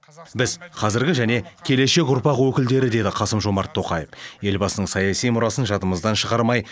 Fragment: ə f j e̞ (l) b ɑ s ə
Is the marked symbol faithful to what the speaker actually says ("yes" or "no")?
yes